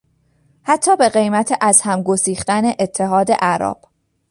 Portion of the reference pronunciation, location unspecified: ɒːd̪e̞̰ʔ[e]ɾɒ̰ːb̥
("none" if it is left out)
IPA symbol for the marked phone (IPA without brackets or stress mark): æ